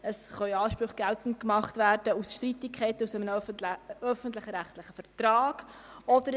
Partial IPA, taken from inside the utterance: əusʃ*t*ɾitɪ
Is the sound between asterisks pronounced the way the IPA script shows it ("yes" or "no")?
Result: yes